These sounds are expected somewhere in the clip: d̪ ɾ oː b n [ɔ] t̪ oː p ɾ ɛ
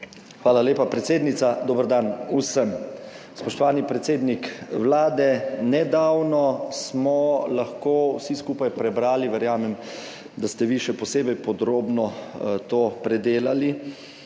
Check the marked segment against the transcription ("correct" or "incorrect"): correct